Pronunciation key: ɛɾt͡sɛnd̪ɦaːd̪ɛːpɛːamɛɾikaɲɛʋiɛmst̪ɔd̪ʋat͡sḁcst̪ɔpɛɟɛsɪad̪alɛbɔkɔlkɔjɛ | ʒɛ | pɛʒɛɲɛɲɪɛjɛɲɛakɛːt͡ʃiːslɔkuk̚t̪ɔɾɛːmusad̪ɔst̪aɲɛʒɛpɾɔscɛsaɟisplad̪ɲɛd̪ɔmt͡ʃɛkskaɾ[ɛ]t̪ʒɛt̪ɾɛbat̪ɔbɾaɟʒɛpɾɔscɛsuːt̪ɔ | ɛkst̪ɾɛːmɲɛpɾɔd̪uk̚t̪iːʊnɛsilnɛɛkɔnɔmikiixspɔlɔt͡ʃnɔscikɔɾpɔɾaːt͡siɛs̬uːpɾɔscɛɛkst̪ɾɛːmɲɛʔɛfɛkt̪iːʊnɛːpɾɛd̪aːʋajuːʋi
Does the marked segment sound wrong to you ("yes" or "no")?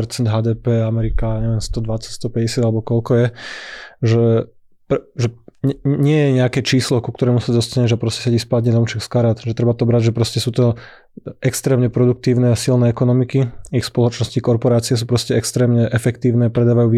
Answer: yes